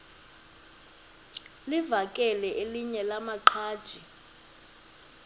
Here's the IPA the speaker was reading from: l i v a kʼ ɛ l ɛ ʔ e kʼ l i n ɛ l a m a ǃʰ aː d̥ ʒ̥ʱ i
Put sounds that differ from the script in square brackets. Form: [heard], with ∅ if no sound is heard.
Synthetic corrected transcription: l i v a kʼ ɛ l ɛ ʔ e [∅] l i [ɲ] ɛ l a m a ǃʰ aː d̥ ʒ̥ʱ i